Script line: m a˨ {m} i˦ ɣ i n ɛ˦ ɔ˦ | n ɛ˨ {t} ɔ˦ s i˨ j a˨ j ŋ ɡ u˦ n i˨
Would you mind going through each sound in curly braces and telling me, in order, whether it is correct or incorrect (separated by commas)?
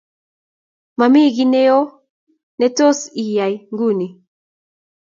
correct, correct